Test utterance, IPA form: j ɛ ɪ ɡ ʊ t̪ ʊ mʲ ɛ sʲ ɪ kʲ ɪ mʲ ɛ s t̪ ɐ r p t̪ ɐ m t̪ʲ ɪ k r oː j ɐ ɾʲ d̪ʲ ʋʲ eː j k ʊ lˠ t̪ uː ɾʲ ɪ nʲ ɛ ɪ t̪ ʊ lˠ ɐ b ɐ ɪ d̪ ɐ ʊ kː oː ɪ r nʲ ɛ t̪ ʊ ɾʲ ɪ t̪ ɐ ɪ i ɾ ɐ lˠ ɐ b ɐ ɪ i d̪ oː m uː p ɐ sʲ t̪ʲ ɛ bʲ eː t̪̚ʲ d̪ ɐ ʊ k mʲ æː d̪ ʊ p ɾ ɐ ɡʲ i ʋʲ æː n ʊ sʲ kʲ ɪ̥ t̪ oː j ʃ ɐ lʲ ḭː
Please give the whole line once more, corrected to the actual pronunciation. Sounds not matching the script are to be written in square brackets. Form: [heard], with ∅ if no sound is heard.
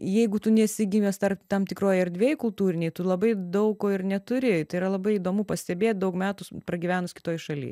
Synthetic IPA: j ɛ ɪ ɡ ʊ t̪ ʊ [nʲ] ɛ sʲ ɪ [ɡʲ] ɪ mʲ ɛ s t̪ ɐ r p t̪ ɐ m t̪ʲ ɪ k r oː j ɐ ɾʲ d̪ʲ ʋʲ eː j k ʊ lˠ t̪ uː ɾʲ ɪ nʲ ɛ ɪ t̪ ʊ lˠ ɐ b ɐ ɪ d̪ ɐ ʊ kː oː ɪ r nʲ ɛ t̪ ʊ ɾʲ ɪ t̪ ɐ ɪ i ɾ ɐ lˠ ɐ b ɐ ɪ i d̪ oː m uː p ɐ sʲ t̪ʲ ɛ bʲ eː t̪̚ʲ d̪ ɐ ʊ k mʲ æː [t̪] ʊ p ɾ ɐ ɡʲ i ʋʲ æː n ʊ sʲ kʲ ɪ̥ t̪ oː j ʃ ɐ lʲ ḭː